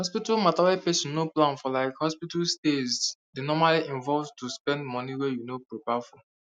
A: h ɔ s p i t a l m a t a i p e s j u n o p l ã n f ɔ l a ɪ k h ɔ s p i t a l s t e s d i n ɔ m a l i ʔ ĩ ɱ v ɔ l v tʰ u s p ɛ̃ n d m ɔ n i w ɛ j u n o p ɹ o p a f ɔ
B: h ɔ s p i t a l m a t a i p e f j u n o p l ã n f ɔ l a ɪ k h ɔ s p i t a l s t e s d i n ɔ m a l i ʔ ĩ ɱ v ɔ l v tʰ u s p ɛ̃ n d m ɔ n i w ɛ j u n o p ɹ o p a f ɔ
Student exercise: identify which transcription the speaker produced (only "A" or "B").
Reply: A